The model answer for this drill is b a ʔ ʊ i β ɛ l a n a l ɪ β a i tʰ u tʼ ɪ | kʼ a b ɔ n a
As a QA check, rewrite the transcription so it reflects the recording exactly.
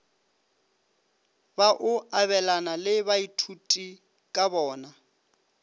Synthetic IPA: b a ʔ ʊ a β ɛ l a n a l ɪ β a i tʰ u tʼ i | kʼ a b ɔː n a